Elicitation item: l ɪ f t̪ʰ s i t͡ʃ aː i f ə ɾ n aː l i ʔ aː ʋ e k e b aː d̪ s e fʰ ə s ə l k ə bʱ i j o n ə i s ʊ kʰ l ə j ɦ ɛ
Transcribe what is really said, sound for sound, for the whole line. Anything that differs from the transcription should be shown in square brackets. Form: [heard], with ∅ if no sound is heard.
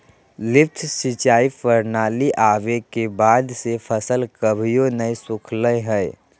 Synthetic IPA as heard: l ɪ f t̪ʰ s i t͡ʃ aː i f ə ɾ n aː l i ʔ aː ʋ e k e b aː d̪ s e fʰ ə s ə l k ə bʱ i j o n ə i s ʊ kʰ l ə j ɦ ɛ